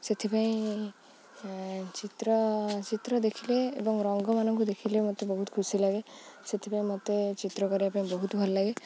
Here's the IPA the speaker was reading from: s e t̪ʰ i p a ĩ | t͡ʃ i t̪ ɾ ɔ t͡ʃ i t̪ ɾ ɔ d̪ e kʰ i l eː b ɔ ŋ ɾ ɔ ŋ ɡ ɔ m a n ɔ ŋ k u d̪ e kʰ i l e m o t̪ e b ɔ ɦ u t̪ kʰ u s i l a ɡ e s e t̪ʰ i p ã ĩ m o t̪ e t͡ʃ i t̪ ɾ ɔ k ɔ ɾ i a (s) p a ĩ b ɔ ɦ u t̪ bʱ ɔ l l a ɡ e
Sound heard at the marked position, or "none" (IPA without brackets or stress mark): none